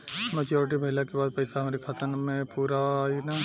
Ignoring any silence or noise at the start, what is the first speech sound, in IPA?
m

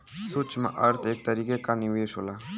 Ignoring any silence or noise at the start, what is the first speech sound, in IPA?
s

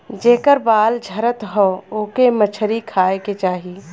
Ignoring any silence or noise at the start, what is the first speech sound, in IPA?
d͡ʒ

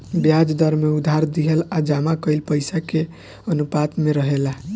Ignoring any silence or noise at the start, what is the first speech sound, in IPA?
b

